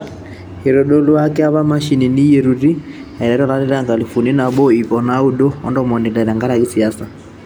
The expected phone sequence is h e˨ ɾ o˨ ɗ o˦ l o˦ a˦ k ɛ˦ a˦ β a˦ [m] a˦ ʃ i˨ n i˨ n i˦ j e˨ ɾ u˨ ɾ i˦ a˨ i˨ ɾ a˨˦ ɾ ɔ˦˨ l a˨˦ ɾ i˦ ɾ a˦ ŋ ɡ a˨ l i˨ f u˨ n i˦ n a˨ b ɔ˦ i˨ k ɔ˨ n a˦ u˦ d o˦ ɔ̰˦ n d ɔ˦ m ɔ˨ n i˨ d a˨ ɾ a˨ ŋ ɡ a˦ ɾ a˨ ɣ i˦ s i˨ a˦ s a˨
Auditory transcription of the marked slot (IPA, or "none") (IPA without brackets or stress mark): m